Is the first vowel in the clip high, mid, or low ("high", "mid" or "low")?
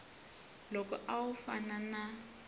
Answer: mid